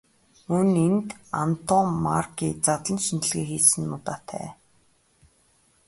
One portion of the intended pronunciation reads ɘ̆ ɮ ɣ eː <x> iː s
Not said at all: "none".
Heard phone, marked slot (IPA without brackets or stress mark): x